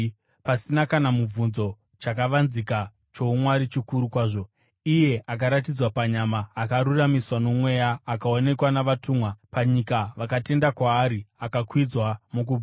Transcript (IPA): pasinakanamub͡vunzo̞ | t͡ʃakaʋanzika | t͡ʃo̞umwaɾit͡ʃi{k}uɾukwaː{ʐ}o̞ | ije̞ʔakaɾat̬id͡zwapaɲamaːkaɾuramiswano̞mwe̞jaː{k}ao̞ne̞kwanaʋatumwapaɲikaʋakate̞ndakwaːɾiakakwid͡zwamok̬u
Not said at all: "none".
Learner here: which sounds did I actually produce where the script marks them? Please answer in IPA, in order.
k, ʐ, k

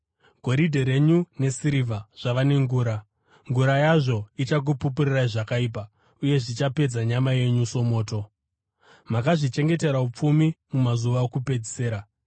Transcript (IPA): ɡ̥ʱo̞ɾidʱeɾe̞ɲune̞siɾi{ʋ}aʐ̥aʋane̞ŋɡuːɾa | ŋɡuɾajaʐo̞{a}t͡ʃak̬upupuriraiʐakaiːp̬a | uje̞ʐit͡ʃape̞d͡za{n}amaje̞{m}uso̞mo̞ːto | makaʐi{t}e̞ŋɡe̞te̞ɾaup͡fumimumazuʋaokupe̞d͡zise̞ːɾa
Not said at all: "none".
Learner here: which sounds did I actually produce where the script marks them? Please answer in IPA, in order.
v, i, ɲ, ɲ, t͡ʃ

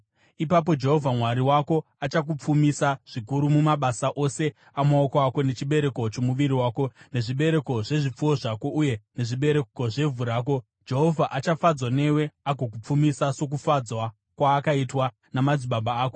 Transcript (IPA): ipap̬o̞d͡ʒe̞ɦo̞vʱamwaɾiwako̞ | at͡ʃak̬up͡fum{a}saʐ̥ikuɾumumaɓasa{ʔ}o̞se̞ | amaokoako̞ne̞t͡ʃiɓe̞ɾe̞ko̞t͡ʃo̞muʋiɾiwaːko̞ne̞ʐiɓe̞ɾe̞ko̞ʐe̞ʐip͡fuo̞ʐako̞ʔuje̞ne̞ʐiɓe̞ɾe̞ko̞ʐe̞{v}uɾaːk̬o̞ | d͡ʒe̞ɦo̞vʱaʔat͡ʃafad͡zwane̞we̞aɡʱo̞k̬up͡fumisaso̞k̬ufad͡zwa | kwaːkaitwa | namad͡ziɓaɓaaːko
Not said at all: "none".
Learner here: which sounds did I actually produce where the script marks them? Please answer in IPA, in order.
i, ʔ, v

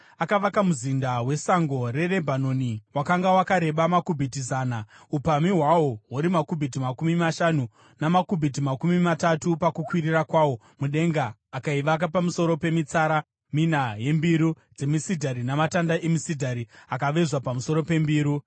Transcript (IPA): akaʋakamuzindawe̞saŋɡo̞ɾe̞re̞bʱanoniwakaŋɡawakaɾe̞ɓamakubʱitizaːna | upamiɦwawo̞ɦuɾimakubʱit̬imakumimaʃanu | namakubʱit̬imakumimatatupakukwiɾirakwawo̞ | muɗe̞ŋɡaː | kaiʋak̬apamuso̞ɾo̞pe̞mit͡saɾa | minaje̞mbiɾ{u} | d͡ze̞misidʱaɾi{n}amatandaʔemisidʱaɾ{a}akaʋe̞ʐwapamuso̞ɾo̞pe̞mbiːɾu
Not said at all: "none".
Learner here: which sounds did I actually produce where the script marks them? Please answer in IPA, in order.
u, n, i

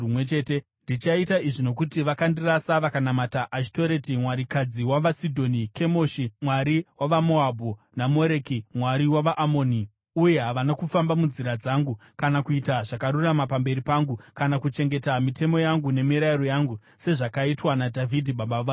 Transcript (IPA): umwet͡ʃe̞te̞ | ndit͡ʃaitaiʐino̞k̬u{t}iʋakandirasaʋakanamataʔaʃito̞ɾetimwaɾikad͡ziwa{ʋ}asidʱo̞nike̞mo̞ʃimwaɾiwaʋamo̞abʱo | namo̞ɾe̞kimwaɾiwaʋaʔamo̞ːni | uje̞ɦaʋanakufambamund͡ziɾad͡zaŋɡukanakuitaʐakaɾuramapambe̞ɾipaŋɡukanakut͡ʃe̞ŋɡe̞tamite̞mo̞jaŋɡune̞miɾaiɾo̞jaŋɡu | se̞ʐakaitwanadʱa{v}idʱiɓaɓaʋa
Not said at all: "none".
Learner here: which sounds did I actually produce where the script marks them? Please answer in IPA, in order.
t, ʋ, v

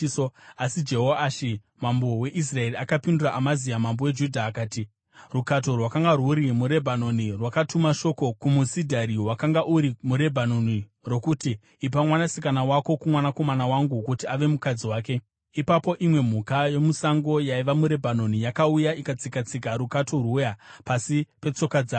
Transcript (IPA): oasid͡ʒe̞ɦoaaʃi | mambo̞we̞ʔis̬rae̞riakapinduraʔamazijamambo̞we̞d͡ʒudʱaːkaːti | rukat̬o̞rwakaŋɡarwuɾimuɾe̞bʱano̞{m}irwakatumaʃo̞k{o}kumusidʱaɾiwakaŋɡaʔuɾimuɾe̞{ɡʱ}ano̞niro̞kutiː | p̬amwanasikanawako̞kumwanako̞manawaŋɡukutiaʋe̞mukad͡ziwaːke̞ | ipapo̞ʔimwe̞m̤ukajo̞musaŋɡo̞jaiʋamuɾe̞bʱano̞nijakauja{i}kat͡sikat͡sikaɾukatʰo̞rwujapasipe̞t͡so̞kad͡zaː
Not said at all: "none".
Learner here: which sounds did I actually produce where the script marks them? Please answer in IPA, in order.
n, o, bʱ, i

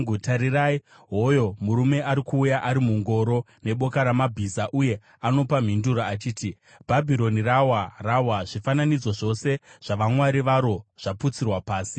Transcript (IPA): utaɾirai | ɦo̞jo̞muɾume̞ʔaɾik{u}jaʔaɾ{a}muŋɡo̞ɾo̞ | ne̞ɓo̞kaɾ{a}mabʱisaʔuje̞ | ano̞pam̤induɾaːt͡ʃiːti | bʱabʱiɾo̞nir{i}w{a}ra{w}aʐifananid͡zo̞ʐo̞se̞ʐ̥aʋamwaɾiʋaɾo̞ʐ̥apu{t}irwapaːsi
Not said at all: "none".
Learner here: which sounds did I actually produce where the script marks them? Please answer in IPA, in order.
uː, i, a, a, a, w, t͡s

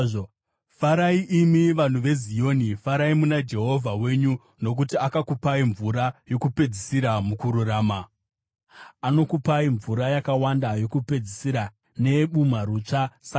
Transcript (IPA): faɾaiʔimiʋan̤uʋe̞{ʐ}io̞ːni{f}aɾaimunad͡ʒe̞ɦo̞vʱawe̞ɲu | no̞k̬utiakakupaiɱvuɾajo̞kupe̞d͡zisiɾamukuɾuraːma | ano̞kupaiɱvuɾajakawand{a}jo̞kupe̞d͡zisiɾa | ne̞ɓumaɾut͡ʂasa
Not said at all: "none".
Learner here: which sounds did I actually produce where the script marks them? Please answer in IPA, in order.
z, f, a

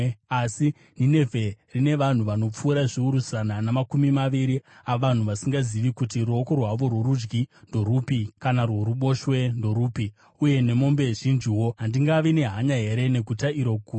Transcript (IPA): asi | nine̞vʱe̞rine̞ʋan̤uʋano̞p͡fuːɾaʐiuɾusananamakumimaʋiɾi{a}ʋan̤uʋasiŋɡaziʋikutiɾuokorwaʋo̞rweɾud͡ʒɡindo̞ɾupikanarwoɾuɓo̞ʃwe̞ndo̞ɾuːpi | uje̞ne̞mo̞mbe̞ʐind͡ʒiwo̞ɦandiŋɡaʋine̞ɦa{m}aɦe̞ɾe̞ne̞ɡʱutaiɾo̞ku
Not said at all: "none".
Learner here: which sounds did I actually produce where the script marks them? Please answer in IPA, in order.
a, ɲ

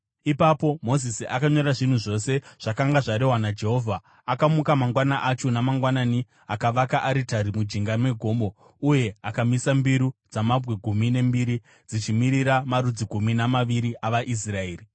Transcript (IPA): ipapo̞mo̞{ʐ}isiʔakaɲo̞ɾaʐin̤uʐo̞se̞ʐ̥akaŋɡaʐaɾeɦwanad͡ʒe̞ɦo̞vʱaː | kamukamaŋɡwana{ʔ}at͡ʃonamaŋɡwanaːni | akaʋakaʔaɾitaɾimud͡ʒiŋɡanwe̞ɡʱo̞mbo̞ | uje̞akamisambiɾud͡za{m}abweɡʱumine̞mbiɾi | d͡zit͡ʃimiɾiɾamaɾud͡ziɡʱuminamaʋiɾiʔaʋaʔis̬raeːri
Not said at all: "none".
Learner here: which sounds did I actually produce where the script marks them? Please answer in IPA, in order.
z, ʔ, m

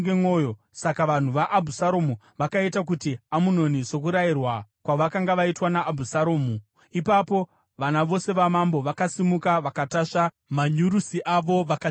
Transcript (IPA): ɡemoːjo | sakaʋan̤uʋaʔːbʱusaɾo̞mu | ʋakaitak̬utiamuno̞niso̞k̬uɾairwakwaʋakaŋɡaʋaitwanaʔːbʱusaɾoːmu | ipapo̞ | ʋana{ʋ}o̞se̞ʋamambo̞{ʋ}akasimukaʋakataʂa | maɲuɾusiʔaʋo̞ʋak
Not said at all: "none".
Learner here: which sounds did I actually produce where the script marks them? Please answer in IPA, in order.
ʋ, ʋ

